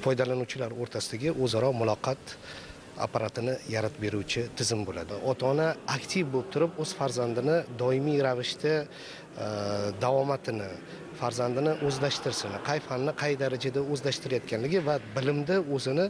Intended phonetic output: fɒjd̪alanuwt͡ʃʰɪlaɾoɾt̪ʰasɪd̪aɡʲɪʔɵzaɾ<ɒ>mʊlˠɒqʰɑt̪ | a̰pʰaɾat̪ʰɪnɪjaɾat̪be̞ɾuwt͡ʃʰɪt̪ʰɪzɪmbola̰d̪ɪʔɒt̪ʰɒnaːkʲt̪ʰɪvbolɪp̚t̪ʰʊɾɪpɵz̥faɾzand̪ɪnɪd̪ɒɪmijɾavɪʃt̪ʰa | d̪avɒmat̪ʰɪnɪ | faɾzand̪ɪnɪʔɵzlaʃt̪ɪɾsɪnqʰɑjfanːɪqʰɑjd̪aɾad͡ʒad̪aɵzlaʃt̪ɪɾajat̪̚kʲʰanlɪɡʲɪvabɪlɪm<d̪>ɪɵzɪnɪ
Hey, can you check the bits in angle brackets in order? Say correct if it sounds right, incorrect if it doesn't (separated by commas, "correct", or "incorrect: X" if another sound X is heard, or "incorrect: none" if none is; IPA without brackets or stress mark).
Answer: correct, correct